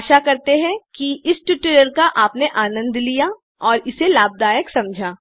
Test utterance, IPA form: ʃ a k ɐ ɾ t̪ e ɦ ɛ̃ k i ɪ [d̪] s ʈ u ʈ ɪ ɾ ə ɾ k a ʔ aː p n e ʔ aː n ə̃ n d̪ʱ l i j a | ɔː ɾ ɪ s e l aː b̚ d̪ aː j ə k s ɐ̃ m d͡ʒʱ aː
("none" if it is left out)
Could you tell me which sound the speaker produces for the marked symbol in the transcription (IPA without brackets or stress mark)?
none